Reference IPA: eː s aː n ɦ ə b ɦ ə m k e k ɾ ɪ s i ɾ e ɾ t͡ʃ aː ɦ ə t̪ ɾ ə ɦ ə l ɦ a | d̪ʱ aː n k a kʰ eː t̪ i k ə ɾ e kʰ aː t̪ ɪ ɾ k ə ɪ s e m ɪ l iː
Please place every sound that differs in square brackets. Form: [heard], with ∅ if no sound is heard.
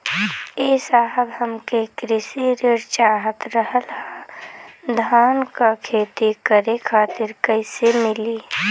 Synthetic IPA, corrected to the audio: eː s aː [∅] ɦ ə b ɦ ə m k e k ɾ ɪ s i ɾ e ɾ t͡ʃ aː ɦ ə t̪ ɾ ə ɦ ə l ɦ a | d̪ʱ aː n k a kʰ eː t̪ i k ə ɾ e kʰ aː t̪ ɪ ɾ k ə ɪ s e m ɪ l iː